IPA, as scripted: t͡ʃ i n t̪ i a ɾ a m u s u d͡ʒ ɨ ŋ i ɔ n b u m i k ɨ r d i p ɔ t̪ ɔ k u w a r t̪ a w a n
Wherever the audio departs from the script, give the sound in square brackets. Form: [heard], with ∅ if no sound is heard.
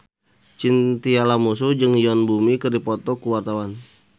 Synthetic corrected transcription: t͡ʃ i n t̪ i a [l] a m u s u d͡ʒ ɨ ŋ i ɔ n b u m i k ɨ r d i p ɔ t̪ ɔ k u w a r t̪ a w a n